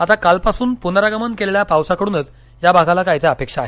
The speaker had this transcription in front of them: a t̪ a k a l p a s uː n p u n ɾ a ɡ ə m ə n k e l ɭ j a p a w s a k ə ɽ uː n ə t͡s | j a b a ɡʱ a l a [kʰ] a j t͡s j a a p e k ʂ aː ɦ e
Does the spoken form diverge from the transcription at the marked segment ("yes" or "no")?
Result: yes